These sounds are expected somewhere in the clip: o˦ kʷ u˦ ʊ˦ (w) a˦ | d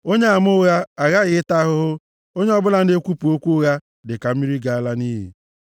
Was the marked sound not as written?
yes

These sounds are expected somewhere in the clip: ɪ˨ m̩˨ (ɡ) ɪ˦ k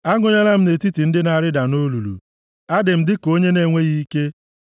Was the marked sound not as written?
yes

